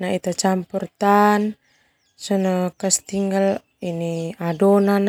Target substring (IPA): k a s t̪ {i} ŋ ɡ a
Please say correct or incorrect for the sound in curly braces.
correct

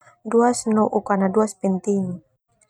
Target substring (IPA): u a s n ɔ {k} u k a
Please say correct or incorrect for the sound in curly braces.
incorrect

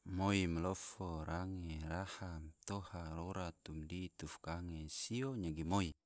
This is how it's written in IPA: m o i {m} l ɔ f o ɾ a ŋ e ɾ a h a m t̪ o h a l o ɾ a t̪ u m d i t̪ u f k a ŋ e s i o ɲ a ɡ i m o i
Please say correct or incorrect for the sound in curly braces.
correct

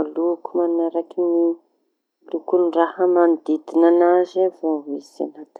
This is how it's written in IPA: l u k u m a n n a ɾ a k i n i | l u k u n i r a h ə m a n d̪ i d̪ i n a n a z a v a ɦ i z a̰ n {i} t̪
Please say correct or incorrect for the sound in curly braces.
incorrect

